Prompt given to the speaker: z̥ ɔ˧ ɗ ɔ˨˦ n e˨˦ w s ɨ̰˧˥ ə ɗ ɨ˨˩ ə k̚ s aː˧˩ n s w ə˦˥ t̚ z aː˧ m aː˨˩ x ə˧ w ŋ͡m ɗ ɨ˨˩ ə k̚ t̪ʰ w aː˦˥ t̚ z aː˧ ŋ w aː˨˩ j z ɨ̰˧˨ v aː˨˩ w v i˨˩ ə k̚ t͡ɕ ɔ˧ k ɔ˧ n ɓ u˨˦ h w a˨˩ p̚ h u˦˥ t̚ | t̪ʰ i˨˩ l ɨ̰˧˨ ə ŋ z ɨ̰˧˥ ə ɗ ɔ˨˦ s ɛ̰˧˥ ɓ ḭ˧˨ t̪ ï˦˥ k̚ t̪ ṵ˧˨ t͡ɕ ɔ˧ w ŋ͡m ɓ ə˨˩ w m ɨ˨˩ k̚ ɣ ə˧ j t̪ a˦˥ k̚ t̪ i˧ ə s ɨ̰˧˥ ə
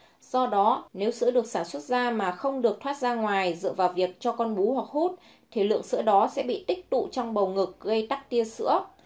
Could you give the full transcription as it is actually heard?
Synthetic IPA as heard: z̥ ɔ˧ ɗ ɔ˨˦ n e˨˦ w s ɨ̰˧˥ ə ɗ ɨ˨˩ ə k̚ s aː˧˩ n s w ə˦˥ t̚ z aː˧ m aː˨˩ x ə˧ w ŋ͡m ɗ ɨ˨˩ ə k̚ t̪ʰ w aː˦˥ t̚ z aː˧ ŋ w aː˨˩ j z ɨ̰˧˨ v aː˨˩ w v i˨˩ ə k̚ t͡ɕ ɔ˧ k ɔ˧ n ɓ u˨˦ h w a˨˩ k̚ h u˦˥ t̚ | t̪ʰ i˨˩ l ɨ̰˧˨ ə ŋ s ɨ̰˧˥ ə ɗ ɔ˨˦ s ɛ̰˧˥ ɓ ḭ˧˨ t̪ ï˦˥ k̚ t̪ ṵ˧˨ t͡ɕ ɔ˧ w ŋ͡m ɓ ə˨˩ w ŋ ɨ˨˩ k̚ ɣ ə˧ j t̪ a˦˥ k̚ t̪ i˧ ə s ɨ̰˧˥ ə